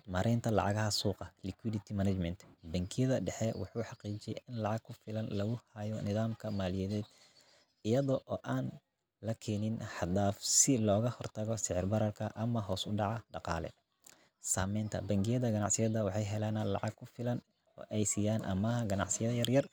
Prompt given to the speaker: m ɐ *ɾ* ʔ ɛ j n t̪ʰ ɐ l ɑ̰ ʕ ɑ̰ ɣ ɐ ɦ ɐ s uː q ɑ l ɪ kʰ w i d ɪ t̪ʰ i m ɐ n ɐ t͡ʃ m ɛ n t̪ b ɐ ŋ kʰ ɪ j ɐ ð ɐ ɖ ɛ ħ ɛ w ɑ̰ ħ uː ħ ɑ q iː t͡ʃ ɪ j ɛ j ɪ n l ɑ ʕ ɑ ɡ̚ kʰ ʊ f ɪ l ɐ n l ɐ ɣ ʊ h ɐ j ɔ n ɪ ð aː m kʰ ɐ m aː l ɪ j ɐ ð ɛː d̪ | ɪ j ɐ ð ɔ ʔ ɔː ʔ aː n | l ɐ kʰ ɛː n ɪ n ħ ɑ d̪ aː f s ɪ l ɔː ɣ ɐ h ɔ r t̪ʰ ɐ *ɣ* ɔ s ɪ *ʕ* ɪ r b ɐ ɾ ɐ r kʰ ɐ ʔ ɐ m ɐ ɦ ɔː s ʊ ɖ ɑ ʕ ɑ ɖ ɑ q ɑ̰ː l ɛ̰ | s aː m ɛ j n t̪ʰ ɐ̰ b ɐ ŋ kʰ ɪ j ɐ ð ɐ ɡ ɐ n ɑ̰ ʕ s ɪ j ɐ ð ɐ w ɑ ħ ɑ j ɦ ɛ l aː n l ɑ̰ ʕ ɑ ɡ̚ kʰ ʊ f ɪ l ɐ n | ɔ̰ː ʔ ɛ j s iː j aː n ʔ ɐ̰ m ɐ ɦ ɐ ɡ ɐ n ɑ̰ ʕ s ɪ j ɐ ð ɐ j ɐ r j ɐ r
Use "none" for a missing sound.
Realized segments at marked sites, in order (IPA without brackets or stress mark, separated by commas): ɾ, ɣ, ʕ